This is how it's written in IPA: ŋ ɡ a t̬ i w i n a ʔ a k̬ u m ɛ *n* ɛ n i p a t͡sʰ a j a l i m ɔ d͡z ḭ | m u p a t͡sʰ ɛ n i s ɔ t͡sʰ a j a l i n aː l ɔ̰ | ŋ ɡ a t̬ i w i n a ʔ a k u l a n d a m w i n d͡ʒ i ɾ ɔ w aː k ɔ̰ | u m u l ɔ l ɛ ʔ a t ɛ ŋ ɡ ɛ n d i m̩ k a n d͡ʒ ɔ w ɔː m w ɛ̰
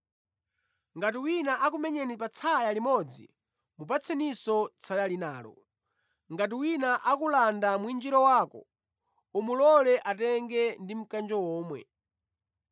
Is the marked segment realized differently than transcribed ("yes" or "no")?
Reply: yes